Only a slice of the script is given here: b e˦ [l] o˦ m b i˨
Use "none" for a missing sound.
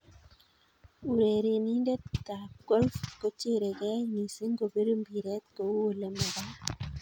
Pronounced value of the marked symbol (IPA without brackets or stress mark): ɾ